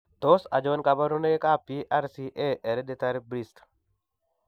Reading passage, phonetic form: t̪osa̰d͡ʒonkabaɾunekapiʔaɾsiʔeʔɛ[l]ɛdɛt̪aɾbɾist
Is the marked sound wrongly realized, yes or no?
yes